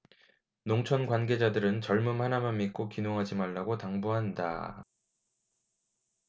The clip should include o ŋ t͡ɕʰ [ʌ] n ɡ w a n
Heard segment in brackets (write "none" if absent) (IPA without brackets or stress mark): ʌ